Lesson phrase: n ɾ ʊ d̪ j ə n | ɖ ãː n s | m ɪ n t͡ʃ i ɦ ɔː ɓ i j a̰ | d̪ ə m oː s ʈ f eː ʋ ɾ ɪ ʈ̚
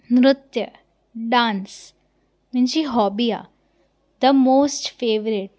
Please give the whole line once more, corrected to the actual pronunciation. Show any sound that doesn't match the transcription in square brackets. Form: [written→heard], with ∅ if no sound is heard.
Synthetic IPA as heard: n ɾ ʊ [d̪→t̪] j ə [n→∅] | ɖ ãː n s | m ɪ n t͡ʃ i ɦ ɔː [ɓ→b] i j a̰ | d̪ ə m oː s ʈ f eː ʋ ɾ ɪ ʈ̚